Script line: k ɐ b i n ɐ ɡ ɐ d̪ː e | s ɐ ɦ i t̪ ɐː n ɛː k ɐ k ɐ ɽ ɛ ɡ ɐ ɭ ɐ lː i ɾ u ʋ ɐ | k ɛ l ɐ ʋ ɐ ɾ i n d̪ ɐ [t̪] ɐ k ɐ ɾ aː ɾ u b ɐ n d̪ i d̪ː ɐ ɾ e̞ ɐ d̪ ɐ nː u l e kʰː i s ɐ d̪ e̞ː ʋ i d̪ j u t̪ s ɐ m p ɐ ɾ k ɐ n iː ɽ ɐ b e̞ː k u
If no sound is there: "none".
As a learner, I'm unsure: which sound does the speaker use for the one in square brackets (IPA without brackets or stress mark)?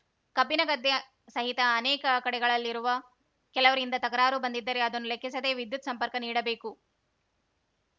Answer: t̪